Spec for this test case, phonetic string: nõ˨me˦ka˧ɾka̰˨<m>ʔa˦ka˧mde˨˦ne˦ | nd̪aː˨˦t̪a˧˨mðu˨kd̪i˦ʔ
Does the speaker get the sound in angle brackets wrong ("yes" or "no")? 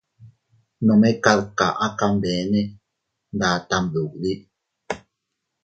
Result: yes